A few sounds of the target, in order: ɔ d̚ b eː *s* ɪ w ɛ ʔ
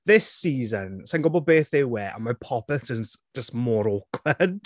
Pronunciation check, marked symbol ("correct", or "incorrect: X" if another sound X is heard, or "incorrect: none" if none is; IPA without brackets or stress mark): incorrect: θ